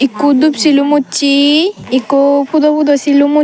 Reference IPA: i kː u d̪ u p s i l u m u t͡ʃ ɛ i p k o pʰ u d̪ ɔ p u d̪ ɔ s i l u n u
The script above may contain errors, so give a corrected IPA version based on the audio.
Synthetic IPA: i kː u d̪ u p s i l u m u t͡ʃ i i k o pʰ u d̪ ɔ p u d̪ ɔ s i l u m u

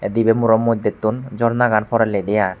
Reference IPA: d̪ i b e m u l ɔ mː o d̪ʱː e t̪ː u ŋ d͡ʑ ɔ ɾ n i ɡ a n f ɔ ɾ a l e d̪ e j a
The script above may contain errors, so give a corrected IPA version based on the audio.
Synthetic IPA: d̪ i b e m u ɾ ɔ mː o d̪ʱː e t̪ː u n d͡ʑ ɔ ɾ n a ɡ a n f ɔ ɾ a l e d̪ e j a

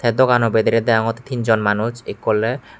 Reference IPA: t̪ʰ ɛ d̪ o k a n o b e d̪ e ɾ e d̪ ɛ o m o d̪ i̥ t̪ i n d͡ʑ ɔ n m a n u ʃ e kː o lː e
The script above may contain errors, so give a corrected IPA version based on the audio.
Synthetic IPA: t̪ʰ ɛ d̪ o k a n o b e d̪ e ɾ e d̪ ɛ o ŋ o t̪ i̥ t̪ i n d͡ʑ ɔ n m a n u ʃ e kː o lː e

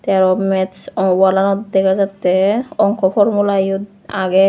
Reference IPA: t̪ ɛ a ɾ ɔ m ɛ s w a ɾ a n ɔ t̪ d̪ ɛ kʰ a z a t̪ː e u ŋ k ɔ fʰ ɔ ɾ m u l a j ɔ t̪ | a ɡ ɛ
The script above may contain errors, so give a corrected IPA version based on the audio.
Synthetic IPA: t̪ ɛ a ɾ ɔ m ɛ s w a l a n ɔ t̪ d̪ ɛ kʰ a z a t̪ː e ɔ ŋ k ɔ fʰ ɔ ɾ m u l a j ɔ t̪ | a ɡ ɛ

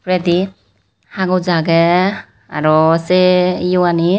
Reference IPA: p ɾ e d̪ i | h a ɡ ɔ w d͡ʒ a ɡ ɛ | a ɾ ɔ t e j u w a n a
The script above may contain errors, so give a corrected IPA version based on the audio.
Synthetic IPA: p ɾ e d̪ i | h a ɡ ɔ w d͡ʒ a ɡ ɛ | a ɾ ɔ s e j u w a n i

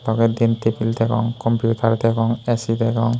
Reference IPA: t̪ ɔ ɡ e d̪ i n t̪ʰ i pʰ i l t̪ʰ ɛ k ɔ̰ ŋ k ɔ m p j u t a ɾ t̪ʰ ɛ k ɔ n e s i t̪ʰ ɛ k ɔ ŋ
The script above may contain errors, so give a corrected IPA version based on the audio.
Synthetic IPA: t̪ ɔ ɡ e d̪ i n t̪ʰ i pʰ i l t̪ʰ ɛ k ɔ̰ ŋ k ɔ m p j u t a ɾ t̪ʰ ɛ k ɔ ŋ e s i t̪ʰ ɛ k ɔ ŋ

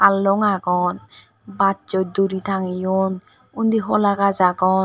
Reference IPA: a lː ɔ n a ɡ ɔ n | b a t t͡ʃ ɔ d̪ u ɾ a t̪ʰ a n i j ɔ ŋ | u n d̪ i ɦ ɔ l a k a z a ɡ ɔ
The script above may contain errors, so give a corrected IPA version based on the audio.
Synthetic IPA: a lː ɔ ŋ a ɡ ɔ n | b a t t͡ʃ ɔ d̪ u ɾ i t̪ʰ a ŋ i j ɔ n | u n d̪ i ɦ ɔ l a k a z a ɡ ɔ

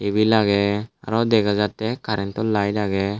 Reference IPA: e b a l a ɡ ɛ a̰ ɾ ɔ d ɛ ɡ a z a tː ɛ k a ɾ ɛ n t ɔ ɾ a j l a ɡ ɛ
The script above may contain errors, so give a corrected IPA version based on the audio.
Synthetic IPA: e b i l a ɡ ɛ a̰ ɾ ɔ d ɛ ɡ a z a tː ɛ k a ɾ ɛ n t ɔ l a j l a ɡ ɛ

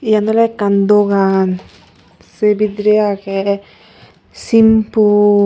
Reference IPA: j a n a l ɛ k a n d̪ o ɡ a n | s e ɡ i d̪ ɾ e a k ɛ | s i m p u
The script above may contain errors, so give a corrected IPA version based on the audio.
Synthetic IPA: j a n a l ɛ k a n d̪ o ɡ a n | s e b i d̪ ɾ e a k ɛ | s i m p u

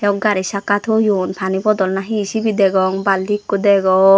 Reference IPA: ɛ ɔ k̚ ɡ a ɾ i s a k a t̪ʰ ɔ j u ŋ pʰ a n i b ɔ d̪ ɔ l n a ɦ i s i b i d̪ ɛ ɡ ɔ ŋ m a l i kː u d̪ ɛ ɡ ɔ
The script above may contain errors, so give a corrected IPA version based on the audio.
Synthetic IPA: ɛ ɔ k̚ ɡ a ɾ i s a k a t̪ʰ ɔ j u n pʰ a n i b ɔ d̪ ɔ l n a ɦ i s i b i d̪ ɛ ɡ ɔ ŋ b a l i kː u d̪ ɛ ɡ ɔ

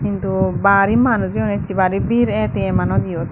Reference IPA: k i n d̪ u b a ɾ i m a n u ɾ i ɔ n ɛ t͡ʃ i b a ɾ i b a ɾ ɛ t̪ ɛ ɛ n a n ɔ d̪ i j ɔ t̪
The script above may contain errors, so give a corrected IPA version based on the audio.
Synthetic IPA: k i n t̪ u b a ɾ i m a n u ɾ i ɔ n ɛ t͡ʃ i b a ɾ i b i ɾ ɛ t̪ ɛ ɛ m a n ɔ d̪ i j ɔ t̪

